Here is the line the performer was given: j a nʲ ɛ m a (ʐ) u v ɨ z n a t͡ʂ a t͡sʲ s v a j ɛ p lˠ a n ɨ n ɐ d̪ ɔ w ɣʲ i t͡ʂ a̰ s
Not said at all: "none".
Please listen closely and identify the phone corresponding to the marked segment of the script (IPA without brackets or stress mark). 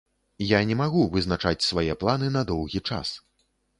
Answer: ɣ